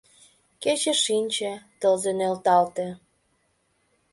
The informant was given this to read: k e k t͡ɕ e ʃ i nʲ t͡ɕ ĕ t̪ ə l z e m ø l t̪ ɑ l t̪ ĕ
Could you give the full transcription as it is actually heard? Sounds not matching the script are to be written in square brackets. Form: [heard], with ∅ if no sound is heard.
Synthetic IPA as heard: k e [∅] t͡ɕ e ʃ i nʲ t͡ɕ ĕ t̪ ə l z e [n] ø l t̪ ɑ l t̪ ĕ